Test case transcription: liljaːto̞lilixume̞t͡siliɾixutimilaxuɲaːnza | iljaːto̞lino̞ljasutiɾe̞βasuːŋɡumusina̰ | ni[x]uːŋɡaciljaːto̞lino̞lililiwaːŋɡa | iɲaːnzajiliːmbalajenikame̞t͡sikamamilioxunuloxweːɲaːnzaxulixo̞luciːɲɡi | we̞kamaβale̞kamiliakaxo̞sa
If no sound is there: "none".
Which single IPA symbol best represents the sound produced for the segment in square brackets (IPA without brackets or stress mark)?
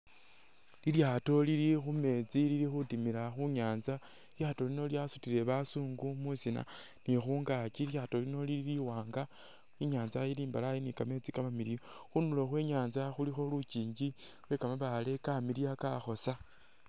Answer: x